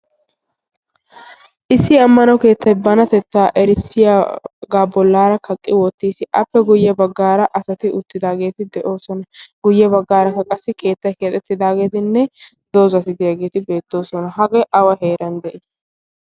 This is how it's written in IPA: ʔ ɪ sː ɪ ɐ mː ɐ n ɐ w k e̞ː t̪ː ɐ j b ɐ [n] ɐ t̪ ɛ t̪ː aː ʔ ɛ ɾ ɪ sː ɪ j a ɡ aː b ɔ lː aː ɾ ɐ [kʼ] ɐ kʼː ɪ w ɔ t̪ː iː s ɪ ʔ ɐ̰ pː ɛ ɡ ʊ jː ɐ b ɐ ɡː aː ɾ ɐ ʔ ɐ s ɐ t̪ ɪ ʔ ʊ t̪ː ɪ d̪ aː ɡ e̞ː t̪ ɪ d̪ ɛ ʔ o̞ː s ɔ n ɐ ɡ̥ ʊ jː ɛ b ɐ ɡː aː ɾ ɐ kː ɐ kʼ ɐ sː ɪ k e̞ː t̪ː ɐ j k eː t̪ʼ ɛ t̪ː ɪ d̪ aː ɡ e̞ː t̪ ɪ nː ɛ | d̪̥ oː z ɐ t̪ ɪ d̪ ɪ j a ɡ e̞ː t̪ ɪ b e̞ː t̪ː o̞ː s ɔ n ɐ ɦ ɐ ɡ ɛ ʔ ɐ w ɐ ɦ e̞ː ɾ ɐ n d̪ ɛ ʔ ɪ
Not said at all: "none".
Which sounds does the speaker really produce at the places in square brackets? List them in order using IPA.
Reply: n, k

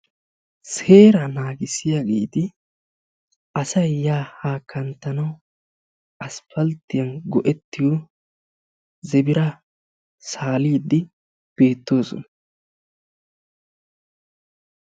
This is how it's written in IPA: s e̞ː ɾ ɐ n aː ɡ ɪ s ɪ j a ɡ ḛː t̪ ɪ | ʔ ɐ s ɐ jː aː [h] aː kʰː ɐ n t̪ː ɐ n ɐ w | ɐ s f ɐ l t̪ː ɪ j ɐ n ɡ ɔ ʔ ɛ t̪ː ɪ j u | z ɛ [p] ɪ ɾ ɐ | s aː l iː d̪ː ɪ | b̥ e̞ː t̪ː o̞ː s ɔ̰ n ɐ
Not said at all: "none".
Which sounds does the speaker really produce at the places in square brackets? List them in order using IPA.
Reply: h, b

